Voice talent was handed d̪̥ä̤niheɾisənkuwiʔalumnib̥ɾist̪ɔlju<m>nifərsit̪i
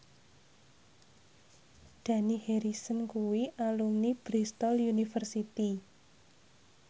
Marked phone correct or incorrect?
incorrect